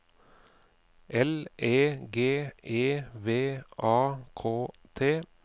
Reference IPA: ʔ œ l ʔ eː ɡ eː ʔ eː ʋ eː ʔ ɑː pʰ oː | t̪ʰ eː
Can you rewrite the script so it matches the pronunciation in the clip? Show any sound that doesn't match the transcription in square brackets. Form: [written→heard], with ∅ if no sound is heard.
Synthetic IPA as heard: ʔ [œ→ɛ] l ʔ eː ɡ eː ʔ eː ʋ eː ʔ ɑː [pʰ→kʰ] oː | t̪ʰ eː